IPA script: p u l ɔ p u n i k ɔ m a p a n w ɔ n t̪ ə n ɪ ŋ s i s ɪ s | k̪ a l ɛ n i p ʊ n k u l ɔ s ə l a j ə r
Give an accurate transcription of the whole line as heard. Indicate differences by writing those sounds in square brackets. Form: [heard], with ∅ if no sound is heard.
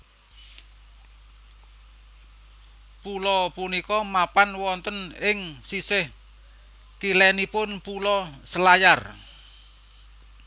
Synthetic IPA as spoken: p u l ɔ p u n i k ɔ m a p a n w ɔ n t̪ ə n ɪ ŋ s i s ɪ [h] | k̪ [i] l ɛ n i p ʊ n [p] u l ɔ s ə l a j [a] r